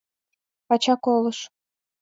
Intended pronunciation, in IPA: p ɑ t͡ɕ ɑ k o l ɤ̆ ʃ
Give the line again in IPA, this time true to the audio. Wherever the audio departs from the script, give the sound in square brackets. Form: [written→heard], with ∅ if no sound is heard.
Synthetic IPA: p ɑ t͡ɕ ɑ k o l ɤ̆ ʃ